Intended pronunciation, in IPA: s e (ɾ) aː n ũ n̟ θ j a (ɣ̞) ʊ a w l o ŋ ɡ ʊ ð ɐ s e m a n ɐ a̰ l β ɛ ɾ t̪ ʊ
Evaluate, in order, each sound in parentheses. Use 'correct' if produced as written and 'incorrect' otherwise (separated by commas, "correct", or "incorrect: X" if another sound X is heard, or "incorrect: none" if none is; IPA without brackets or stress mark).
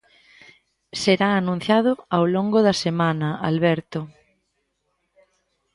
correct, incorrect: ð̞